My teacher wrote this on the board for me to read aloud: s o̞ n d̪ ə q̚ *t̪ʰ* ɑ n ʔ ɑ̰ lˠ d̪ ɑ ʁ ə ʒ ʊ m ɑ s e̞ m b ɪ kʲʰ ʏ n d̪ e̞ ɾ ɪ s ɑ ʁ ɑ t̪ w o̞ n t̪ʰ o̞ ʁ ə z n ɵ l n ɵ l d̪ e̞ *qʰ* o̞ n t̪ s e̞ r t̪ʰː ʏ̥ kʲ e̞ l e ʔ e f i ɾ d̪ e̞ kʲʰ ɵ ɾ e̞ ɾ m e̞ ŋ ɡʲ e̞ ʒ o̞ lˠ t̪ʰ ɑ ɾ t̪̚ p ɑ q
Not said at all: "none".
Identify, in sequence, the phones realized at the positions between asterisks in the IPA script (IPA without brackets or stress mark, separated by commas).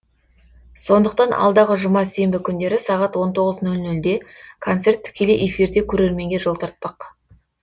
t̪, kʰ